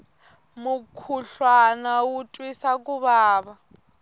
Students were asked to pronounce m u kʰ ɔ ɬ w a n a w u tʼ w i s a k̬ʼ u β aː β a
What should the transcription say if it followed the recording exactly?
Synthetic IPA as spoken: m u kʰ u ɬ w a n a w u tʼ w i s a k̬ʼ u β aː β a